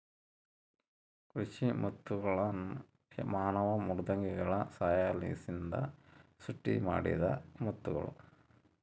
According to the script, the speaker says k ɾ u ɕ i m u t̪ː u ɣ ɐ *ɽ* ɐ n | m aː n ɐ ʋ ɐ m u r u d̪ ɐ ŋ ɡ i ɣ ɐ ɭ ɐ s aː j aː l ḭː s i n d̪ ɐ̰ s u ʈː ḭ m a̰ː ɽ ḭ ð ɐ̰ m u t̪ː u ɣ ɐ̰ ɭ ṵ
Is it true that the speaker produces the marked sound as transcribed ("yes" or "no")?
no